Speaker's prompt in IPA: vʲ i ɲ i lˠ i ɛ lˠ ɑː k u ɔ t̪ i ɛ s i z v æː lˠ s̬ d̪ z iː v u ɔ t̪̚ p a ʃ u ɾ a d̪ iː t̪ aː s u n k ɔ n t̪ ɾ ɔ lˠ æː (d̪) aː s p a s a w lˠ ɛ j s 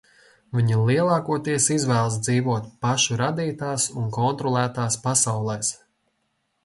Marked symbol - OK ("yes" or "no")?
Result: no